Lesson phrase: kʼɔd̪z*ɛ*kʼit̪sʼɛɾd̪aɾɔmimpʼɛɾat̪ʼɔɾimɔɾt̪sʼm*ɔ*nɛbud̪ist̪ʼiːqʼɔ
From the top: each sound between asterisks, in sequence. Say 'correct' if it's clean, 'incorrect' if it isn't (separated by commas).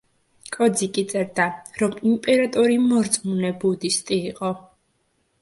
incorrect, incorrect